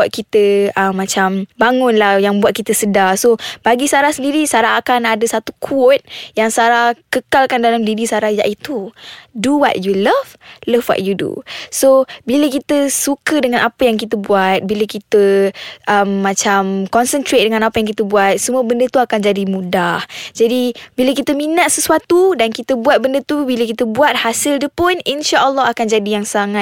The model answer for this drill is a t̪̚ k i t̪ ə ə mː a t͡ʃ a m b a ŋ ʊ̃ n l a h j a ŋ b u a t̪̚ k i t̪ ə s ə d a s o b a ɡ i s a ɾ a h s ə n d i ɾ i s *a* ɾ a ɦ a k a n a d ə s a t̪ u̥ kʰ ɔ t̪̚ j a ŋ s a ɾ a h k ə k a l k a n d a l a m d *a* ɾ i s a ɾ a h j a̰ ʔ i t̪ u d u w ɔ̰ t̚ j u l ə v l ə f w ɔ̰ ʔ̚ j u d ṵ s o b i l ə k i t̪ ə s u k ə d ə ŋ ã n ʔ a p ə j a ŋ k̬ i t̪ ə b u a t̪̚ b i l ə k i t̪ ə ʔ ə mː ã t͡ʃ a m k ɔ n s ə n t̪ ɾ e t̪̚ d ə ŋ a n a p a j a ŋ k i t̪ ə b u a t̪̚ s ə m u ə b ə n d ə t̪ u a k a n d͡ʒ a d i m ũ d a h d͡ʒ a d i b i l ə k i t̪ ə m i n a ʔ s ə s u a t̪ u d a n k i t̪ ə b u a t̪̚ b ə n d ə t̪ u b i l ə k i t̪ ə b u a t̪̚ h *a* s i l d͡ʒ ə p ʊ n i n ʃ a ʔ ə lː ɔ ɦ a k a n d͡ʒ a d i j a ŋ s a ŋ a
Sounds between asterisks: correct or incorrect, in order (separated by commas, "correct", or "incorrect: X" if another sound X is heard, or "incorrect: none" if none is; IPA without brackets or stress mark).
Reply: correct, incorrect: i, correct